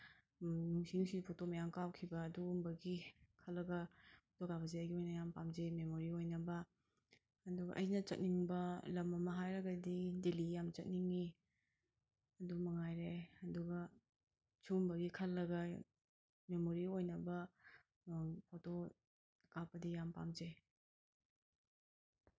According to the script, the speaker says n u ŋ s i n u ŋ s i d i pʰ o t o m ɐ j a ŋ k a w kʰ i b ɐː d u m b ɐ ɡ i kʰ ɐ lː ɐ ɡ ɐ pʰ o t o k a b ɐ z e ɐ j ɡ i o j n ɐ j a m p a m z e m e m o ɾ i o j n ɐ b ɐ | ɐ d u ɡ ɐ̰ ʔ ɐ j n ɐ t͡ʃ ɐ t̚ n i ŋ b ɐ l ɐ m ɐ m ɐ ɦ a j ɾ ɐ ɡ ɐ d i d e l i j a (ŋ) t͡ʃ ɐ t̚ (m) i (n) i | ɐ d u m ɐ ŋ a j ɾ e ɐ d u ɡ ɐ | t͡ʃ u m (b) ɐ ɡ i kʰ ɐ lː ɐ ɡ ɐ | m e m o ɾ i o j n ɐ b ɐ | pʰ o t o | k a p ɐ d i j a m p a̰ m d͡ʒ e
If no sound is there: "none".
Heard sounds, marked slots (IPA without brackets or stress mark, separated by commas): m, n, ŋ, b